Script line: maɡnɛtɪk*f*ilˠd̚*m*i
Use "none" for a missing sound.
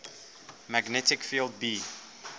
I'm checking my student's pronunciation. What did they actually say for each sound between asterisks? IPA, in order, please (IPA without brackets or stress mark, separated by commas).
f, b